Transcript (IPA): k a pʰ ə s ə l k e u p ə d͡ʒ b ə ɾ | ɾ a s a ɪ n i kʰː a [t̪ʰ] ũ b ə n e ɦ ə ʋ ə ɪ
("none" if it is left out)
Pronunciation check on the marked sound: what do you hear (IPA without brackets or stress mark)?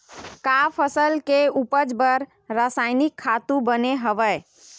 t̪